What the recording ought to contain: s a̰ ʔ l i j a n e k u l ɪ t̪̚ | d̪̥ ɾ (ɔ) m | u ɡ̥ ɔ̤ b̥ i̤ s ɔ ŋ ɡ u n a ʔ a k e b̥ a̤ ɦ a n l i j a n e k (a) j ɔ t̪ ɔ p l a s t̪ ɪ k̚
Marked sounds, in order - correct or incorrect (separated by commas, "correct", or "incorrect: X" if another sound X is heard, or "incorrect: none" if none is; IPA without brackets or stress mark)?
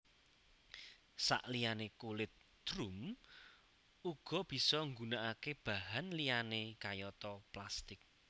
incorrect: u, correct